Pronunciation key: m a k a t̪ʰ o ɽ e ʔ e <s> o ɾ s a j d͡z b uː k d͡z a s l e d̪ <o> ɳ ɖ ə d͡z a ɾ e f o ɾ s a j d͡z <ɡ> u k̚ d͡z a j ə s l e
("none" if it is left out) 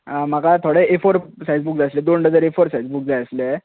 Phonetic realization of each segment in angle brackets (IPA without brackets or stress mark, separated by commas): f, o, b